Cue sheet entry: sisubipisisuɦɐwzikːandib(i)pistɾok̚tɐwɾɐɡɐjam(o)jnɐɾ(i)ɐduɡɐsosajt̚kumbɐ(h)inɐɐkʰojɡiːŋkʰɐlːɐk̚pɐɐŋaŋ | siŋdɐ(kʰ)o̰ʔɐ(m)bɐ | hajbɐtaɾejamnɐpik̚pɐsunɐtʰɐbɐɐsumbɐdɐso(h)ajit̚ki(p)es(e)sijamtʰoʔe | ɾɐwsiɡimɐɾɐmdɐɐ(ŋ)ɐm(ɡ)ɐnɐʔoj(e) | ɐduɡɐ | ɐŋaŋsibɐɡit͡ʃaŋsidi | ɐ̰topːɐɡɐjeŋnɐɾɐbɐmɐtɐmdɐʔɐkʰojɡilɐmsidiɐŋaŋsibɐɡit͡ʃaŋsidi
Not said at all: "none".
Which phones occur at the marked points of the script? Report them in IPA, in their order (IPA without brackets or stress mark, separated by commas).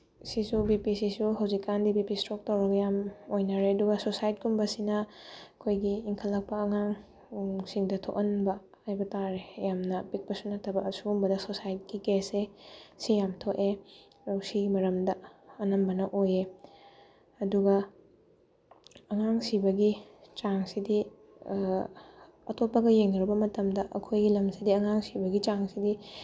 i, o, e, s, tʰ, n, s, k, e, n, b, e